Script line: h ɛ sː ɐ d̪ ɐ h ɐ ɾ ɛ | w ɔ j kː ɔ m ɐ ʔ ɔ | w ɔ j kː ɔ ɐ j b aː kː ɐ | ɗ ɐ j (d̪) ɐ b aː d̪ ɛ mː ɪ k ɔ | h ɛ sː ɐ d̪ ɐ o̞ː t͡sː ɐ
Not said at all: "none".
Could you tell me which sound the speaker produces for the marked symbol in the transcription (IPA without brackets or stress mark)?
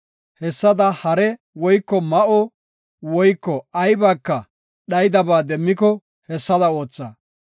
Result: d̪